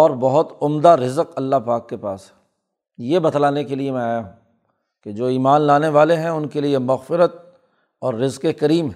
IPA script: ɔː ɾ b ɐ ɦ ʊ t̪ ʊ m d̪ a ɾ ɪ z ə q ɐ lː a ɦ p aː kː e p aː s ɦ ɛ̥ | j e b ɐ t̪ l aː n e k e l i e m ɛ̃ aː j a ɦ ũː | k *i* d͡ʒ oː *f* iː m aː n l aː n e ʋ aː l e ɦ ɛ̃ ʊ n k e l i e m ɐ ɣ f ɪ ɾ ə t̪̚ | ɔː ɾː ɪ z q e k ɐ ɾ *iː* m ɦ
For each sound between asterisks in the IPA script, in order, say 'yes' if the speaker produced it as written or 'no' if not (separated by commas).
no, no, yes